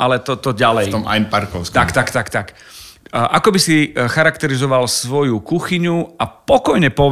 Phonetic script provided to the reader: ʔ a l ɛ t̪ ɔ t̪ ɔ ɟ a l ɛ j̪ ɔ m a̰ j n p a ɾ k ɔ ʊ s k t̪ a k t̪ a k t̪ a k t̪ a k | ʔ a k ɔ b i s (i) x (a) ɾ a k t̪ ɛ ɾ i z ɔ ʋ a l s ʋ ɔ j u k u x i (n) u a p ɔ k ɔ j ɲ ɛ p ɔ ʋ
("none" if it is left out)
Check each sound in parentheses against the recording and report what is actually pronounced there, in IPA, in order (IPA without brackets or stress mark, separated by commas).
i, a, ɲ